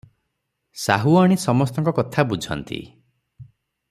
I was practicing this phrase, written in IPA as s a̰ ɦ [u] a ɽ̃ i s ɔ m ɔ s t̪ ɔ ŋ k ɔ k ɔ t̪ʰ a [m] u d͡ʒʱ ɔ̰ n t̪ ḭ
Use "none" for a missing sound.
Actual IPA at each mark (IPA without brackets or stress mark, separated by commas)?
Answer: u, b